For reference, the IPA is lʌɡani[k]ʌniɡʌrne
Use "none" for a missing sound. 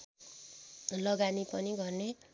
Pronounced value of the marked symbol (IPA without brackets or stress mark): p